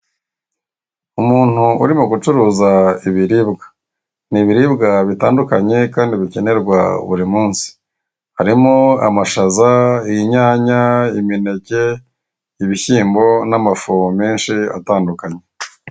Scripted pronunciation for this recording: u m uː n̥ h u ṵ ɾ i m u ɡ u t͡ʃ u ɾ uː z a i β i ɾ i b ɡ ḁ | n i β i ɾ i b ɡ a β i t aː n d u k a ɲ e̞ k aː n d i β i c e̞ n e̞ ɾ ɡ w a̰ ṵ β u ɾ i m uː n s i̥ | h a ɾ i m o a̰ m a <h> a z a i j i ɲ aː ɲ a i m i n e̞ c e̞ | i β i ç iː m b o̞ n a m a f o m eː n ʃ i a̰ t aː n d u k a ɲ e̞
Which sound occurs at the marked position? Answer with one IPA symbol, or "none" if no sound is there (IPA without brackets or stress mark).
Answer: ʃ